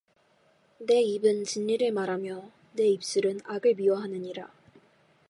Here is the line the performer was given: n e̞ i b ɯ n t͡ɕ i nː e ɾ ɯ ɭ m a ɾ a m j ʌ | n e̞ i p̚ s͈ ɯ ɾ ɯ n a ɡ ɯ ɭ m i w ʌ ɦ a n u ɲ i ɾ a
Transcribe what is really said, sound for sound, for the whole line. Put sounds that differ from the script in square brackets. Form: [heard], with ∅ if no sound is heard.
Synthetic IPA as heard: n e̞ i b ɯ n t͡ɕ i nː [i] ɾ ɯ ɭ m a ɾ a m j ʌ | n e̞ i p̚ s͈ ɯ ɾ ɯ n a ɡ ɯ ɭ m i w ʌ ɦ a n [ɯ] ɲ i ɾ a